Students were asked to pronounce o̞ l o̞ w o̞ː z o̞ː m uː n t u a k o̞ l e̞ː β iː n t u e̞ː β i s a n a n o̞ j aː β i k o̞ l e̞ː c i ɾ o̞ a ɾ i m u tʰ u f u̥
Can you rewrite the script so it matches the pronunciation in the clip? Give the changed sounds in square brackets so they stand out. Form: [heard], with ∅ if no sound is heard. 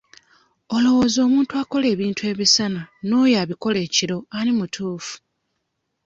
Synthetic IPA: o̞ l o̞ w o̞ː z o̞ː m uː n t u a k o̞ l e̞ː β iː n t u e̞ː β i s a n a n o̞ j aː β i k o̞ l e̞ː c i ɾ o̞ a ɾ i m u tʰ [uː] f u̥